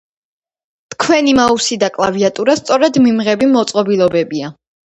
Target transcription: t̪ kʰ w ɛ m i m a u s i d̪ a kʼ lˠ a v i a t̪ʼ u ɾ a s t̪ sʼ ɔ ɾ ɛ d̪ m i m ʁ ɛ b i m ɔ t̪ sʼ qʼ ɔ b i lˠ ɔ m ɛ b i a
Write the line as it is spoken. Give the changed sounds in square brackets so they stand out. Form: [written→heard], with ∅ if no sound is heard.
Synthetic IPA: t̪ kʰ w ɛ [m→n] i m a u s i d̪ a kʼ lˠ a v i a t̪ʼ u ɾ a s t̪ sʼ ɔ ɾ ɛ d̪ m i m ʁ ɛ b i m ɔ t̪ sʼ qʼ ɔ b i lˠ ɔ [m→b] ɛ b i a